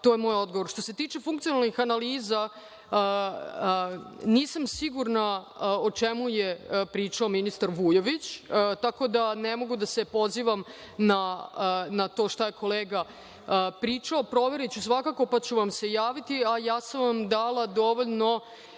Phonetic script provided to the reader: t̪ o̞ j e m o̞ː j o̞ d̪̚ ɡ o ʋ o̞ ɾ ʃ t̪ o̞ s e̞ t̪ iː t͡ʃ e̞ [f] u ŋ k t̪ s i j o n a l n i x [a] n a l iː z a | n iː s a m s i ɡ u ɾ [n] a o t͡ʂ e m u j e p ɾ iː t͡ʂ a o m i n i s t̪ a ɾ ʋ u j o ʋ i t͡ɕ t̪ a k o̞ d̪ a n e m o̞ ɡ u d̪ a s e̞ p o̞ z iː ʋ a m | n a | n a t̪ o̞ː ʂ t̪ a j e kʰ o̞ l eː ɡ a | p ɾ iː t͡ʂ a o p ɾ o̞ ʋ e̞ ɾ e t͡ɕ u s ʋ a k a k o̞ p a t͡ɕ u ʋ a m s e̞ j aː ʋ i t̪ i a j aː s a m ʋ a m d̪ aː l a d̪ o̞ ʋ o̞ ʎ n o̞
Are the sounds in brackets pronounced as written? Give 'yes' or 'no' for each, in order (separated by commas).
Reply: yes, yes, yes